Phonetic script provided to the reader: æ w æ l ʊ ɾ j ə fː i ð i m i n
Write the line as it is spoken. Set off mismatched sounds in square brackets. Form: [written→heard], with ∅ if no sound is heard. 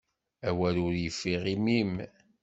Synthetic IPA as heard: æ w æ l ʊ ɾ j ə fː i [ð→ʁ] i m i [n→m]